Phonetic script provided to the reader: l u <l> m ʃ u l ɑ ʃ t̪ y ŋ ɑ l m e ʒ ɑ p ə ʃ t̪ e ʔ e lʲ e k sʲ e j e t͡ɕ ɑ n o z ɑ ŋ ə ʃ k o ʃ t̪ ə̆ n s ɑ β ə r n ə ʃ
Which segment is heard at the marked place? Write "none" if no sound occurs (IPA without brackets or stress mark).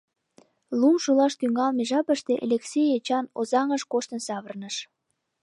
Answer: none